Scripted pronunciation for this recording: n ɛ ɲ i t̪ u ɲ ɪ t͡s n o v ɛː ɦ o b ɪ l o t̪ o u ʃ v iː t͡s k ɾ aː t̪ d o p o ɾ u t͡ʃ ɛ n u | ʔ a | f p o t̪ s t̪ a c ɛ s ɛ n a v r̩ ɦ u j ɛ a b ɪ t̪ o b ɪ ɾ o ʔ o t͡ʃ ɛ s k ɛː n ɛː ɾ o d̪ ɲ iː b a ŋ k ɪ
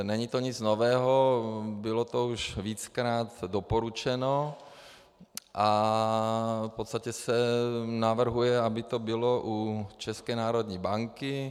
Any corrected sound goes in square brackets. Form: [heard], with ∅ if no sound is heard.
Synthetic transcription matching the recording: n ɛ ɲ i t̪ [o] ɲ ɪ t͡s n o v ɛː ɦ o b ɪ l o t̪ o u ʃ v iː t͡s k ɾ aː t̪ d o p o ɾ u t͡ʃ ɛ n [o] | ʔ a | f p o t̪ s t̪ a c ɛ s ɛ n a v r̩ ɦ u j ɛ a b ɪ t̪ o b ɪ [l] o ʔ [u] t͡ʃ ɛ s k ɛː n [aː] ɾ o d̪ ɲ iː b a ŋ k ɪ